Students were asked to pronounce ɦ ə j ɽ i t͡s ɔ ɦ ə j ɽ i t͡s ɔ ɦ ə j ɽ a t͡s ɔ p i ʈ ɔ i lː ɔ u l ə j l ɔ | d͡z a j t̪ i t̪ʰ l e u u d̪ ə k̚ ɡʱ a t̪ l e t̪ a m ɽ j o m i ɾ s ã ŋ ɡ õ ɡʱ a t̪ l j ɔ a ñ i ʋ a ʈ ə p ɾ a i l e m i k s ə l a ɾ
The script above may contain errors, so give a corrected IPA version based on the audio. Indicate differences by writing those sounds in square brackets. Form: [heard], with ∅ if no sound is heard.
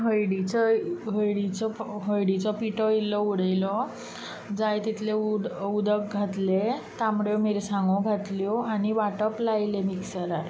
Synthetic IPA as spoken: ɦ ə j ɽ i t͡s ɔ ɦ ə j ɽ i t͡s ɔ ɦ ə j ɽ [i] t͡s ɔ p i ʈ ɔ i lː ɔ u [ɽ] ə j l ɔ | d͡z a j t̪ i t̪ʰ l e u u d̪ ə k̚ ɡʱ a t̪ l e t̪ a m ɽ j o m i ɾ s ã ŋ ɡ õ ɡʱ a t̪ l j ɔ a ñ i ʋ a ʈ ə p [l] a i l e m i k s ə [ɾ] a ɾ